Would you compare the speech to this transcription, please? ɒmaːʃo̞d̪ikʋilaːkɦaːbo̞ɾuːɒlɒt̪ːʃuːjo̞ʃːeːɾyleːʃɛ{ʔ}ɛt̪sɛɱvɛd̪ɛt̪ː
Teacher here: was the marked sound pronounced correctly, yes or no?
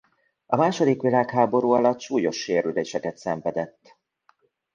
no